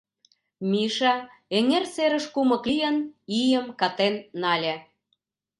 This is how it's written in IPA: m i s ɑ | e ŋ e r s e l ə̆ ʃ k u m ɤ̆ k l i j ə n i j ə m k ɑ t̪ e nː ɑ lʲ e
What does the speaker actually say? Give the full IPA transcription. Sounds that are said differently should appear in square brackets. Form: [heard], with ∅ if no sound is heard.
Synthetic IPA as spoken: m i [ʃ] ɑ | e ŋ e r s e [ɾ] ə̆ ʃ k u m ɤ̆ k l i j ə n i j ə m k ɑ t̪ e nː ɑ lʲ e

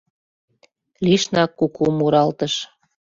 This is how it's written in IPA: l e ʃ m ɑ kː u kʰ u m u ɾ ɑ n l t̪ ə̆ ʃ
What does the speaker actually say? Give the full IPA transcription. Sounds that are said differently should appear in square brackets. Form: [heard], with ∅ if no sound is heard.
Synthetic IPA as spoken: l [i] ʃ [n] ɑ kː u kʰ u m u ɾ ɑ [∅] l t̪ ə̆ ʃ

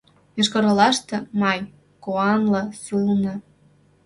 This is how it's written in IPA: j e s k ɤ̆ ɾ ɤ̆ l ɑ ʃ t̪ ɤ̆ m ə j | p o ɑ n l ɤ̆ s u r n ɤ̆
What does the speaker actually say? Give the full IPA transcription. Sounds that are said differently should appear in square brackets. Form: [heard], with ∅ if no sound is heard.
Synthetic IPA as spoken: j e [ʃ] k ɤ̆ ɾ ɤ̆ l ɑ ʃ t̪ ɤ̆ m [ɑ] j | [k] o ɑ n l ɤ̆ s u [l] n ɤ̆

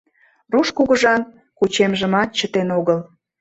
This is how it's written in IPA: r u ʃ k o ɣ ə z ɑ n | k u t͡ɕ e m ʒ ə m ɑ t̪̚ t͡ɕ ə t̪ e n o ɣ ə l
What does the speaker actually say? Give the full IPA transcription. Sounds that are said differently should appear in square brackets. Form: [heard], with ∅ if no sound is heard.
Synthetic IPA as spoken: r u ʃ k [u] ɣ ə [ʒ] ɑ n | k u t͡ɕ e m ʒ ə m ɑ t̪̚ t͡ɕ ə t̪ e n o ɣ ə l

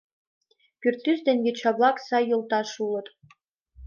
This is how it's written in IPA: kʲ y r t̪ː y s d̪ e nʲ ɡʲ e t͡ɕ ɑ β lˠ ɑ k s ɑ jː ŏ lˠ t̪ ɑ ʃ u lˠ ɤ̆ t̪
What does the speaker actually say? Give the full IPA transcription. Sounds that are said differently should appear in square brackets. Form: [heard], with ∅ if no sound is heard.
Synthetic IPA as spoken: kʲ y r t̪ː y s d̪ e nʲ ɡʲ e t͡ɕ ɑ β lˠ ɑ k s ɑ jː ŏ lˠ t̪ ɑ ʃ u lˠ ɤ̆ t̪

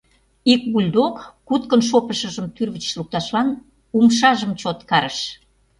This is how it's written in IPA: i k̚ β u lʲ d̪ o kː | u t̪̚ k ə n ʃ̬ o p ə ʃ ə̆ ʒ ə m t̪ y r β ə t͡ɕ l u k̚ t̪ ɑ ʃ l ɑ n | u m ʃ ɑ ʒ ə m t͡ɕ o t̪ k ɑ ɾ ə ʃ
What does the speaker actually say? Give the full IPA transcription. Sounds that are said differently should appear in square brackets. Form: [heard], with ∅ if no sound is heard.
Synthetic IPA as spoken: i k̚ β u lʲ d̪ o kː | u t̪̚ k ə n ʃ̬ o p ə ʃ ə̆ ʒ ə m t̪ y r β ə t͡ɕ l u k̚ t̪ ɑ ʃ l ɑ n | u m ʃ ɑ ʒ ə m t͡ɕ o t̪ k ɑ ɾ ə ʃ

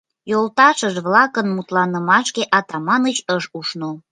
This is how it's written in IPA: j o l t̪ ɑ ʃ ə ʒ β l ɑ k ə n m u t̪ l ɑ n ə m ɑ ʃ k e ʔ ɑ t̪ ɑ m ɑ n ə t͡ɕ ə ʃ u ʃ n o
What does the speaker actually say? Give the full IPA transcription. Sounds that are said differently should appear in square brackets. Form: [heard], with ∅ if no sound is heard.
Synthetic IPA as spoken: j o l t̪ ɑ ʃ ə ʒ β l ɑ k ə n m u t̪ l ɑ n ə m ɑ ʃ k e ʔ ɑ t̪ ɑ m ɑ n ə t͡ɕ ə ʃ u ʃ n o

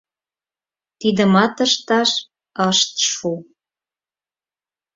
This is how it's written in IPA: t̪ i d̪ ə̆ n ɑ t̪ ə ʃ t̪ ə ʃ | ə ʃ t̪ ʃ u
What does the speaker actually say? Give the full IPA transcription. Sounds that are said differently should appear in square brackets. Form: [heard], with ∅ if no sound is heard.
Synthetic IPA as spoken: t̪ i d̪ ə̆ [m] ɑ t̪ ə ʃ t̪ [ɑ] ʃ | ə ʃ t̪ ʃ u

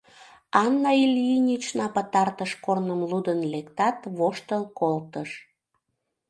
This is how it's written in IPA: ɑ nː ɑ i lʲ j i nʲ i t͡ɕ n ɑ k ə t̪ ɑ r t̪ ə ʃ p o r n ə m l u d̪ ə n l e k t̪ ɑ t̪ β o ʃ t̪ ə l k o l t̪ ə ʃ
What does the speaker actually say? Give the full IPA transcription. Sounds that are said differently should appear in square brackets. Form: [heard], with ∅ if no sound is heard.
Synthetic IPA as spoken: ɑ nː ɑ i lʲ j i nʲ i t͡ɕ n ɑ [p] ə t̪ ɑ r t̪ ə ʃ [k] o r n ə m l u d̪ ə n l e k t̪ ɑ t̪ β o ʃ t̪ ə l k o l t̪ ə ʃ

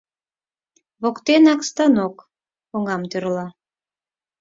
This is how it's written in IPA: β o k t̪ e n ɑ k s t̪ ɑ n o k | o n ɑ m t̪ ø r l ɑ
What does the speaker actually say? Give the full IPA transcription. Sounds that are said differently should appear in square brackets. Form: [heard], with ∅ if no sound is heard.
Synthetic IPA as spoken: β o k t̪ e n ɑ k s t̪ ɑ n o k | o [ŋ] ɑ m t̪ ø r l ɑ

